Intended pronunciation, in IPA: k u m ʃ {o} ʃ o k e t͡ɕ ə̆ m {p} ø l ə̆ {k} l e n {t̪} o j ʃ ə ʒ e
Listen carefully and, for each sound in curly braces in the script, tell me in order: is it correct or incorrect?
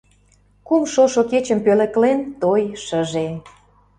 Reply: correct, correct, correct, correct

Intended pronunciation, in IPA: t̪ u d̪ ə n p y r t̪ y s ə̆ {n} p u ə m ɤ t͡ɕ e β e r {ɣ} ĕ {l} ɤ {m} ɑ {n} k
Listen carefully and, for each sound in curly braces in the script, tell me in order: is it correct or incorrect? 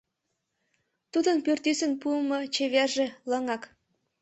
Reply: correct, incorrect: ʒ, correct, incorrect: ŋ, incorrect: none

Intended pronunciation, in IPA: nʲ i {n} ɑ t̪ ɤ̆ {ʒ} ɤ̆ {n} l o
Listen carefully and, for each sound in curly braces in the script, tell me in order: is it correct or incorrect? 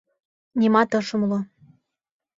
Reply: incorrect: m, incorrect: ʃ, incorrect: m

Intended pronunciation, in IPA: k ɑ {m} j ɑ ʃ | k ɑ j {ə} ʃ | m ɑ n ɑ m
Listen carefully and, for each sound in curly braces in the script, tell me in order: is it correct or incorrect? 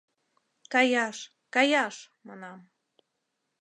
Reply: incorrect: none, incorrect: ɑ

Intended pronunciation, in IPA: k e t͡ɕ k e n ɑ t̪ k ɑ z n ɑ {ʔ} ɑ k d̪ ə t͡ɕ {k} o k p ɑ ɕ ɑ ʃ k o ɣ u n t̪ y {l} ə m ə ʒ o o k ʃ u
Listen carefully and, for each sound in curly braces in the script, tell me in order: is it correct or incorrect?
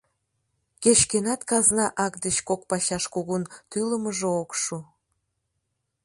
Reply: correct, correct, correct

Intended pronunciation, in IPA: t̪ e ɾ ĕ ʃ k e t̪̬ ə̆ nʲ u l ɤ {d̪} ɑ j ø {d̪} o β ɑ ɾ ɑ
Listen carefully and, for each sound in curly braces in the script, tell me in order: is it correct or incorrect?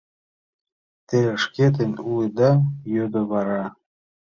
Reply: correct, correct

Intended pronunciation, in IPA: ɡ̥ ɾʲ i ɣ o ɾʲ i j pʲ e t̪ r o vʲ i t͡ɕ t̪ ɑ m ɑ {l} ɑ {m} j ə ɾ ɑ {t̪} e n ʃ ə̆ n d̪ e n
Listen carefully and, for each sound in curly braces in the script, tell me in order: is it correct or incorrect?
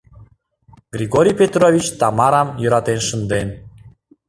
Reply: incorrect: ɾ, correct, correct

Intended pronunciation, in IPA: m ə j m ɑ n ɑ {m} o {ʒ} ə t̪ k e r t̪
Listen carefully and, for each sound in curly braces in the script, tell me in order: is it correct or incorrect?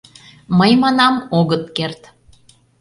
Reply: correct, incorrect: ɣ

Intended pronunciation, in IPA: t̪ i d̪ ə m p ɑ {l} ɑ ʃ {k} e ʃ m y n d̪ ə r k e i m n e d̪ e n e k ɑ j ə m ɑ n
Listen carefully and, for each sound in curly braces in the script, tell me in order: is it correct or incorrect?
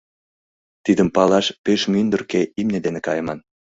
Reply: correct, incorrect: p

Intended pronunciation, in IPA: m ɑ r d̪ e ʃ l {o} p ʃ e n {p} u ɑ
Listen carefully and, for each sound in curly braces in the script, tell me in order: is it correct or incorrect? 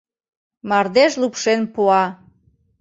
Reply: incorrect: u, correct

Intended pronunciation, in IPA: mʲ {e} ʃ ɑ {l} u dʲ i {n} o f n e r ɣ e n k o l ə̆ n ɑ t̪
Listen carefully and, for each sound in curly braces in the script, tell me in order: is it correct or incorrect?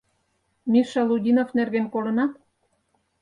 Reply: incorrect: i, correct, correct

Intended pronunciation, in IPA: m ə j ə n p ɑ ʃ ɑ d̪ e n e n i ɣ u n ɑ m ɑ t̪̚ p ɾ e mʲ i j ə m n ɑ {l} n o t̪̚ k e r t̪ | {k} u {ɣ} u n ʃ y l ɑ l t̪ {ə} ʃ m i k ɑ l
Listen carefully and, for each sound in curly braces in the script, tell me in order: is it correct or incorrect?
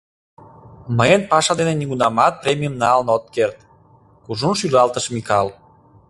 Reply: correct, correct, incorrect: ʒ, correct

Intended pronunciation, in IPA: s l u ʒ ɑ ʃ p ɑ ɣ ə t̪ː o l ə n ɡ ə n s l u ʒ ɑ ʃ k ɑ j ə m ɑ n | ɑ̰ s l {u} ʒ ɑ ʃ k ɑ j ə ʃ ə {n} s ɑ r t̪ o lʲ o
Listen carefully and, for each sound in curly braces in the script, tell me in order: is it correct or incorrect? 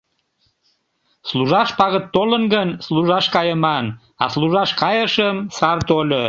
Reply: correct, incorrect: m

